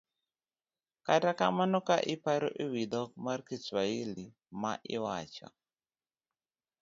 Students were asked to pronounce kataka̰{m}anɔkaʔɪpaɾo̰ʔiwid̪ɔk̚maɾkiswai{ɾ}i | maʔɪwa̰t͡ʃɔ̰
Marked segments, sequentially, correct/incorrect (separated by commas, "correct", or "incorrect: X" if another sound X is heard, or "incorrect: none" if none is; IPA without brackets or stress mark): correct, incorrect: l